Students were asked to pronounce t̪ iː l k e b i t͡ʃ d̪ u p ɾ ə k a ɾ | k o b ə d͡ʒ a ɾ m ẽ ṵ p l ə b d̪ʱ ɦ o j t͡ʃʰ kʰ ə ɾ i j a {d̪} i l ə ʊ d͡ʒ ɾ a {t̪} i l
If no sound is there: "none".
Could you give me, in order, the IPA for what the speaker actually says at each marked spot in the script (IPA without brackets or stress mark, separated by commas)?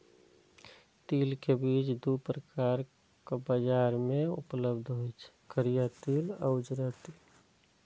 t̪, t̪